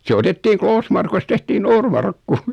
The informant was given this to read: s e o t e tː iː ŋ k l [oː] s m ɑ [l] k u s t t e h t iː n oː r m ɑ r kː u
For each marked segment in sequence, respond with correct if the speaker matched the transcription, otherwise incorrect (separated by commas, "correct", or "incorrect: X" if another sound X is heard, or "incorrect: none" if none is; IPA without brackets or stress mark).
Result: correct, incorrect: r